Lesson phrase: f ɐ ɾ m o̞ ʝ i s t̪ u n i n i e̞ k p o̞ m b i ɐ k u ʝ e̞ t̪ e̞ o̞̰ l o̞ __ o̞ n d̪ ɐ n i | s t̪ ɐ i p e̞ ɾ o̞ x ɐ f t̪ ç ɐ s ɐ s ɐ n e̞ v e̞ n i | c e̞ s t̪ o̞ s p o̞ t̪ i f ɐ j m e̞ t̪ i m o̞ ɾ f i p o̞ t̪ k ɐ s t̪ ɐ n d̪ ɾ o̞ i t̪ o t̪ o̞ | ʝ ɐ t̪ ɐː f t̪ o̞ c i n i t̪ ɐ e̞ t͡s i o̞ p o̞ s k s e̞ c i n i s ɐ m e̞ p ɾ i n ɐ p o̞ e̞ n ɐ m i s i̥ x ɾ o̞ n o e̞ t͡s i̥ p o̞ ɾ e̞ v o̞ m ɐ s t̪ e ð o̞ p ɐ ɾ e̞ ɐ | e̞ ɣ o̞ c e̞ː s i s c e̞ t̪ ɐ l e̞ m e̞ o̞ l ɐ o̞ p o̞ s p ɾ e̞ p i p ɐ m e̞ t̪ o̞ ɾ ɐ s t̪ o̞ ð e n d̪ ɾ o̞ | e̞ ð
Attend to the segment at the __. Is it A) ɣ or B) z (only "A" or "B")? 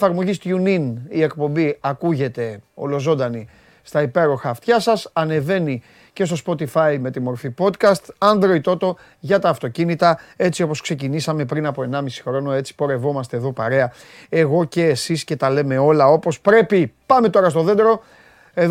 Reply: B